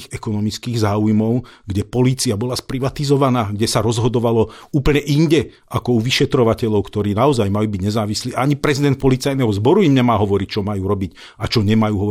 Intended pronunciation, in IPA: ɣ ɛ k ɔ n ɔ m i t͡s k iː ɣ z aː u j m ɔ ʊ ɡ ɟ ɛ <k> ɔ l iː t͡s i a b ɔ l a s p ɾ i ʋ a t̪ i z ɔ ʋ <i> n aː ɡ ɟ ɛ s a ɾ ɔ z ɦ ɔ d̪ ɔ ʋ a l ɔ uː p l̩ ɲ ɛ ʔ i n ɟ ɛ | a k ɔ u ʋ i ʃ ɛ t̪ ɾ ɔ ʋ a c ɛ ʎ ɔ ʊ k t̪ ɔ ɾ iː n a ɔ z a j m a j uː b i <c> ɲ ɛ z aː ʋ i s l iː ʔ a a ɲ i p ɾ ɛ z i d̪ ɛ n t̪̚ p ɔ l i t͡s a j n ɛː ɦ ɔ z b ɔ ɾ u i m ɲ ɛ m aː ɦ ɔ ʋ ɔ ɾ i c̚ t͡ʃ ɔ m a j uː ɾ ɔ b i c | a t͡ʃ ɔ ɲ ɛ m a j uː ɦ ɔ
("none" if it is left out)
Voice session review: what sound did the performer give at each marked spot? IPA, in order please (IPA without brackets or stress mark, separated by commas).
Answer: p, a, ɟ